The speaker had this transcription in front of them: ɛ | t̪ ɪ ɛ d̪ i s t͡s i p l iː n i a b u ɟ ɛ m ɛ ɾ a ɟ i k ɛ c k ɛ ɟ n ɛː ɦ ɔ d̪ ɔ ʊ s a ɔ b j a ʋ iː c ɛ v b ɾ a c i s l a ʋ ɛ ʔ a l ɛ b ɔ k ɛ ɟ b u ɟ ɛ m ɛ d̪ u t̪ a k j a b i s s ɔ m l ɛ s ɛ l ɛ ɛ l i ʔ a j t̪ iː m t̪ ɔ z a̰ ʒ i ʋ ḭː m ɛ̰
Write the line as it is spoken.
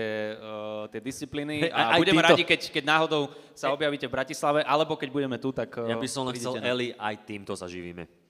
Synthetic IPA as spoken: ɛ | t̪ ɪ ɛ d̪ i s t͡s i p l iː n i a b u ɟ ɛ m ɛ ɾ a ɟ i k ɛ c k ɛ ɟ n aː ɦ ɔ d̪ ɔ ʊ s a ɔ b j a ʋ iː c ɛ v b ɾ a c i s l a ʋ ɛ ʔ a l ɛ b ɔ k ɛ ɟ b u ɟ ɛ m ɛ t̪ u t̪ a k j a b i s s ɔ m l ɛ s ɛ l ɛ ɛ l i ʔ a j t̪ iː m t̪ ɔ z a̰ ʒ i ʋ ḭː m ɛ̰